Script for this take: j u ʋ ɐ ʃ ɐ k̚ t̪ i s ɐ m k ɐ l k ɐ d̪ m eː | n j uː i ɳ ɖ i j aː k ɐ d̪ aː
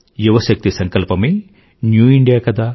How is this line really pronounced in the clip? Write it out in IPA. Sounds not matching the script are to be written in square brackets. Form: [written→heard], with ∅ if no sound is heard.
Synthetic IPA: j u ʋ ɐ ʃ ɐ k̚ t̪ i s ɐ [m→ŋ] k ɐ l [k→p] ɐ [d̪→∅] m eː | n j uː i ɳ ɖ i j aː k ɐ d̪ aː